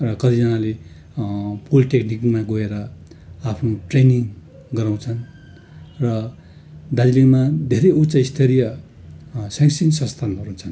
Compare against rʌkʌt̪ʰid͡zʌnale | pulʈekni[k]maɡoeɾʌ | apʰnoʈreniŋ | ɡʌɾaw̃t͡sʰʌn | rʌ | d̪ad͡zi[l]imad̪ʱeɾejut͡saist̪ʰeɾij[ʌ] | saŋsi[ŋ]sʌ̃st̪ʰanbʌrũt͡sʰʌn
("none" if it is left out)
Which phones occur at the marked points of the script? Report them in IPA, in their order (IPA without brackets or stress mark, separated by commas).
k, l, ʌ, n